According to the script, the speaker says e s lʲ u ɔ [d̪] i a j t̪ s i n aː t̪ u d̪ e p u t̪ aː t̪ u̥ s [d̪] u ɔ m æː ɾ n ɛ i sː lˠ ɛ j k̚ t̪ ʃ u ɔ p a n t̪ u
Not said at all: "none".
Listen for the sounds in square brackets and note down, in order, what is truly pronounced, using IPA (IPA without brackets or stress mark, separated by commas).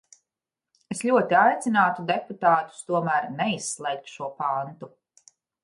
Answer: t̪, t̪